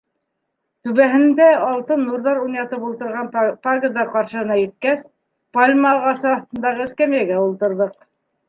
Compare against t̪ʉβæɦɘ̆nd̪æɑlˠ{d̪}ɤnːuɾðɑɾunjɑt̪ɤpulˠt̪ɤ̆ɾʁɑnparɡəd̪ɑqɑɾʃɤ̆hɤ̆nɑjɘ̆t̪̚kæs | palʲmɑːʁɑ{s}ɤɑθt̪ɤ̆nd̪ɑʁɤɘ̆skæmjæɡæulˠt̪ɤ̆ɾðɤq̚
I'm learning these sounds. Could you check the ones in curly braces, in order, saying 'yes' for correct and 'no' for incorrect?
no, yes

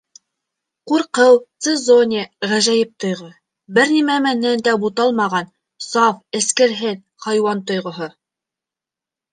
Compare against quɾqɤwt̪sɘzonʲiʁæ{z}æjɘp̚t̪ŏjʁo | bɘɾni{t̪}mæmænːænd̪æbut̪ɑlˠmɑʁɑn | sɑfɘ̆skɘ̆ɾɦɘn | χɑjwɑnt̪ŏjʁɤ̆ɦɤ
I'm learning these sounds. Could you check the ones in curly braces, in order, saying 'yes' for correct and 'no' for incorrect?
no, no

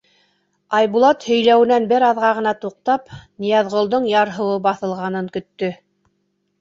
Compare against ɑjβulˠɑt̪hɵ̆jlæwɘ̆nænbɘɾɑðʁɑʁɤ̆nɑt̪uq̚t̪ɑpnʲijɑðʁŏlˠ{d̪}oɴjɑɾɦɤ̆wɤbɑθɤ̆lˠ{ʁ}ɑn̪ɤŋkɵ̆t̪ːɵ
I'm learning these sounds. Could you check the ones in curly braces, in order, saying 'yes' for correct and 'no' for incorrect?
yes, yes

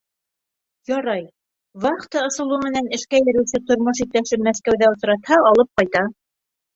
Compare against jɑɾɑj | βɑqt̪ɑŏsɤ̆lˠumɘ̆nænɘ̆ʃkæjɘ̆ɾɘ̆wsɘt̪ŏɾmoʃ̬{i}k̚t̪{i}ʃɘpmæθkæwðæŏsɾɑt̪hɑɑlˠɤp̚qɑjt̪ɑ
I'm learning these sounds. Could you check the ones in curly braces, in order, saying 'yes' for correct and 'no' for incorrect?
yes, no

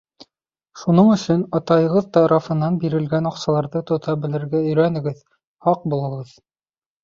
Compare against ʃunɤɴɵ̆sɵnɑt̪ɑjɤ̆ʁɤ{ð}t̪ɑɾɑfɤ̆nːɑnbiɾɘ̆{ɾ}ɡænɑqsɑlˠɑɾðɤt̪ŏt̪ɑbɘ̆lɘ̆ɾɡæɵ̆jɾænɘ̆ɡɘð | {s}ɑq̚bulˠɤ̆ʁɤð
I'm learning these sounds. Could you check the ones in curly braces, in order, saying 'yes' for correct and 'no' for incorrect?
yes, no, no

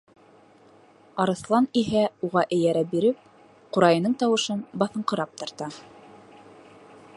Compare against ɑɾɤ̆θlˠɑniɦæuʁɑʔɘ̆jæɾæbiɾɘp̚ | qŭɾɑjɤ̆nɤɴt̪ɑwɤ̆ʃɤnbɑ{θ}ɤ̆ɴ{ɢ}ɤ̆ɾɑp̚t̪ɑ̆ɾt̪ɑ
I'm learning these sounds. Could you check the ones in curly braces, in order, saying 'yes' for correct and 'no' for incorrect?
yes, no

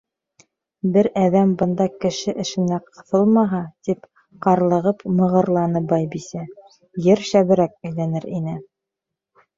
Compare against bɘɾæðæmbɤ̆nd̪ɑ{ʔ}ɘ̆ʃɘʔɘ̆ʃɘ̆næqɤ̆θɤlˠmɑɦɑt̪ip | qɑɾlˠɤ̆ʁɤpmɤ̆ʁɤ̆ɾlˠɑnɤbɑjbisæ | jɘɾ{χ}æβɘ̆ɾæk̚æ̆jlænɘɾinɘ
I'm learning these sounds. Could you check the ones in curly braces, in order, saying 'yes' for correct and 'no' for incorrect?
no, no

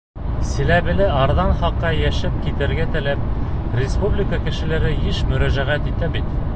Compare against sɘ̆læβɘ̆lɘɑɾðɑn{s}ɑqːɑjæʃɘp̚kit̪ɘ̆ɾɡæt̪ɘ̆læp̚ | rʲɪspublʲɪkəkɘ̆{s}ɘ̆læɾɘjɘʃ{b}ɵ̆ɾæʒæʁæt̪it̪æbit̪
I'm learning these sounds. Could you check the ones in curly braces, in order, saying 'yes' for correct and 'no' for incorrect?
no, no, no

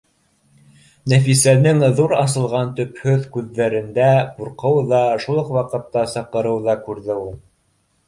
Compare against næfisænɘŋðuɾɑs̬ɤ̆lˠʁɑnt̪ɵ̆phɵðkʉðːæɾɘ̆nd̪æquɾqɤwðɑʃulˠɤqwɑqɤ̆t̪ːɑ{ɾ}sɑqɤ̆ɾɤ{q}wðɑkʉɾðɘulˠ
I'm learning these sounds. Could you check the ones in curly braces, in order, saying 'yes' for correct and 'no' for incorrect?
no, no

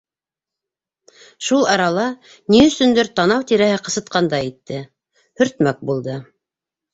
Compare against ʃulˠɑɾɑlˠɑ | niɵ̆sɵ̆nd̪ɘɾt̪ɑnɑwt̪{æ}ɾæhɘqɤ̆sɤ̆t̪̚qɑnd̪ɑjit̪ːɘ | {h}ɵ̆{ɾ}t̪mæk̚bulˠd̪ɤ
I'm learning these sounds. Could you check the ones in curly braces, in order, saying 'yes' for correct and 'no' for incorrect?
no, yes, yes

